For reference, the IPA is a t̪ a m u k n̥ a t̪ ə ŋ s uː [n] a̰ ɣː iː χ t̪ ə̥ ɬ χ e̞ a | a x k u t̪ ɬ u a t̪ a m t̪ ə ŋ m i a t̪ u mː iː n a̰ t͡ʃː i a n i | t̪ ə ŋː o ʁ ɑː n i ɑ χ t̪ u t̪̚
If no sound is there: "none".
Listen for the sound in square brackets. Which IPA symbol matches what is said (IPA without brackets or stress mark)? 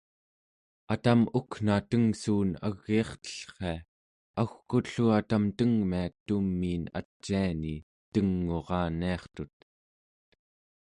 n